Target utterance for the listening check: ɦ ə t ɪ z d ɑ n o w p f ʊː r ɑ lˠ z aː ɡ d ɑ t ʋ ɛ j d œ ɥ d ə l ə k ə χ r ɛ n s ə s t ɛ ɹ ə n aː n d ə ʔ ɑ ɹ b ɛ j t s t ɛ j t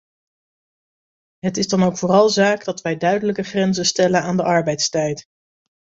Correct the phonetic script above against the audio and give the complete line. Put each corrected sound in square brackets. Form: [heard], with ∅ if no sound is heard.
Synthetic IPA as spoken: ɦ ə t ɪ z d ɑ n o w [k] f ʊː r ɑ lˠ z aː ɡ d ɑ t ʋ ɛ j d œ ɥ d ə l ə k ə χ r ɛ n [z] ə s t ɛ [l] ə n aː n d ə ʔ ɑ ɹ b ɛ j t s t ɛ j t